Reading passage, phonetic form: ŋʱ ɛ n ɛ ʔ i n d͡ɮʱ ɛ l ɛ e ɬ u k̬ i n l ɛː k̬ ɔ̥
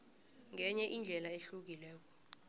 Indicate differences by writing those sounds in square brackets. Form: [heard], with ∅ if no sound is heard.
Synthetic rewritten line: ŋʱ ɛ [ɲ] ɛ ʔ i n d͡ɮʱ ɛ l [a] e ɬ u k̬ i [∅] l ɛː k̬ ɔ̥